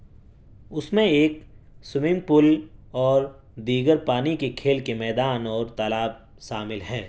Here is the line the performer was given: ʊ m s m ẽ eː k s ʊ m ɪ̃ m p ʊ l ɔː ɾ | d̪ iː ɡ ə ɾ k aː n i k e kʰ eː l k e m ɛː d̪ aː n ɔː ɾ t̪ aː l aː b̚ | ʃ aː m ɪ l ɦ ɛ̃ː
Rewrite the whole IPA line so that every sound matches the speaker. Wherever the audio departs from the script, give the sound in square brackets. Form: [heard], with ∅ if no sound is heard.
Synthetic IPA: ʊ [∅] s m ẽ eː k s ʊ m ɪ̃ m p ʊ l ɔː ɾ | d̪ iː ɡ ə ɾ [p] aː n i k e kʰ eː l k e m ɛː d̪ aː n ɔː ɾ t̪ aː l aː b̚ | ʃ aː m ɪ l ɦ [ɛː]